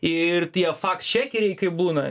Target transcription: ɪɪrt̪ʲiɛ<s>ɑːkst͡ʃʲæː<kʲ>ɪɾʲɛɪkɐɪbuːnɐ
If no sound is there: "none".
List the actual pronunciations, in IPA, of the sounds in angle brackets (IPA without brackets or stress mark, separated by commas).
f, kʲ